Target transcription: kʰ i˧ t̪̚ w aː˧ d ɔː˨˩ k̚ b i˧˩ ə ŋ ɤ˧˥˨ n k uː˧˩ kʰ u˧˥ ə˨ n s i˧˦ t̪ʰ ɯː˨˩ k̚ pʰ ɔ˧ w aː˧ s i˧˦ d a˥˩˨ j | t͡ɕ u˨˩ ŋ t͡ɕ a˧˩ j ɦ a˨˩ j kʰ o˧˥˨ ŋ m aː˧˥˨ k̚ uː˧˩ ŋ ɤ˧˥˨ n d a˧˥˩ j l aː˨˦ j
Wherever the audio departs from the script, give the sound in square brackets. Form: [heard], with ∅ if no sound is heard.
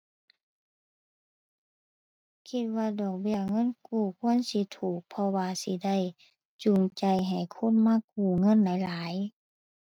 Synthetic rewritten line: kʰ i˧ t̪̚ w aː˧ d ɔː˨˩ k̚ b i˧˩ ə ŋ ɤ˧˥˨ n k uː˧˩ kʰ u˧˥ ə˨ n s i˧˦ t̪ʰ [uː˨˩] k̚ pʰ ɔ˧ w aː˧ s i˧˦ d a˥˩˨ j | t͡ɕ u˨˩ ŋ t͡ɕ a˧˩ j ɦ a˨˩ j kʰ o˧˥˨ [n] m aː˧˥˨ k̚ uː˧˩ ŋ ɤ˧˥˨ n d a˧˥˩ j l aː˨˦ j